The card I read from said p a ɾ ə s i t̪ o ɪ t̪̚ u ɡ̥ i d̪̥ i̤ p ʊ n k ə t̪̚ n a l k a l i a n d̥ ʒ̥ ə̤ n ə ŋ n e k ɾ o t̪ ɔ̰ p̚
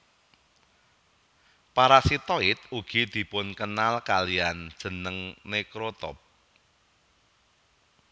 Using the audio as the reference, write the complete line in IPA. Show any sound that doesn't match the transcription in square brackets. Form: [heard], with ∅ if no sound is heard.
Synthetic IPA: p a ɾ [a] s i t̪ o ɪ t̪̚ u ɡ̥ i d̪̥ i̤ p ʊ n k ə [∅] n a l k a l i a n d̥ ʒ̥ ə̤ n ə ŋ n e k ɾ o t̪ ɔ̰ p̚